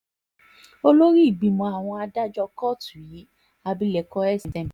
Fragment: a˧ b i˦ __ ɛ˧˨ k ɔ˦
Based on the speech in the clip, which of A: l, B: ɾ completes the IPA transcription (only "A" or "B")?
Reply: A